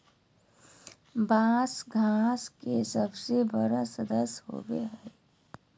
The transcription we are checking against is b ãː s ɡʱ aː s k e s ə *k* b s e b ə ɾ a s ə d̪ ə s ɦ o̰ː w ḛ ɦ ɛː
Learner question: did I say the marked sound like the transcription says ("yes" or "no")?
no